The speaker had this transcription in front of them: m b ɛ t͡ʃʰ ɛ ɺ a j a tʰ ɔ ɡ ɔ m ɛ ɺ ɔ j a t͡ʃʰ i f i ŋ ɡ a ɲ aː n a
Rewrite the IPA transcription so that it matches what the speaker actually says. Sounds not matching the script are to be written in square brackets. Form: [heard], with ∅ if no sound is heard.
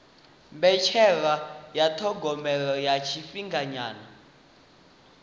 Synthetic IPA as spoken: m b ɛ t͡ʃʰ ɛ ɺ a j a tʰ ɔ ɡ ɔ m ɛ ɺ ɔ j a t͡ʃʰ i f i ŋ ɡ a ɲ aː n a